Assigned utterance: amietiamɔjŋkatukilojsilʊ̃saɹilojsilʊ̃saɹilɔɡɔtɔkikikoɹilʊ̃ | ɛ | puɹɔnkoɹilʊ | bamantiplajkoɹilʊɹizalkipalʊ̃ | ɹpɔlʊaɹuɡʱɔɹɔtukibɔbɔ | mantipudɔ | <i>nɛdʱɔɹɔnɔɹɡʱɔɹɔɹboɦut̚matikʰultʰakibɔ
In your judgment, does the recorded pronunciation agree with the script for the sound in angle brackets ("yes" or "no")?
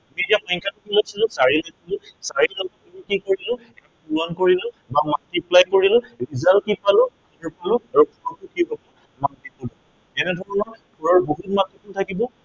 no